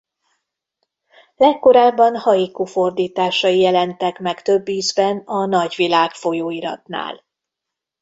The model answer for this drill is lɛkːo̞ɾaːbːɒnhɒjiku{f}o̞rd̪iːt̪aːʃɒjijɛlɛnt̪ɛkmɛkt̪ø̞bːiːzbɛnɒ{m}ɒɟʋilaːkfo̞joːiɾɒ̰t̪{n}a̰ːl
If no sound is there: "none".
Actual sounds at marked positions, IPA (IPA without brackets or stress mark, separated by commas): f, n, n